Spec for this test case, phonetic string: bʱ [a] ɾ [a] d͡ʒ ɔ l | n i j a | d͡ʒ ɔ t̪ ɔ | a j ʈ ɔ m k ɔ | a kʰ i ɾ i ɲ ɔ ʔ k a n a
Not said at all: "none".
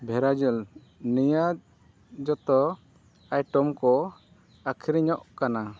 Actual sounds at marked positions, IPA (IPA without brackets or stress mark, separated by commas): ɛ, a